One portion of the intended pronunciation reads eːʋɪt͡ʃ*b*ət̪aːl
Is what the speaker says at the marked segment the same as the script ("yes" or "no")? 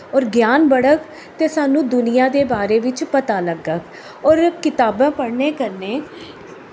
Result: no